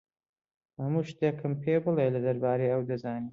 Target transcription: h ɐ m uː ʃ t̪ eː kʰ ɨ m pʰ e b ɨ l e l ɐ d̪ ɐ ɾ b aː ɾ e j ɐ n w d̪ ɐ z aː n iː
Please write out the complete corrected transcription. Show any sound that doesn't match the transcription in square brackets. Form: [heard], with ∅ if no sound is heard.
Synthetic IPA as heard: h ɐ m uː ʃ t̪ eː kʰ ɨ m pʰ e b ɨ l e l ɐ d̪ ɐ ɾ b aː ɾ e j ɐ [∅] w d̪ ɐ z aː n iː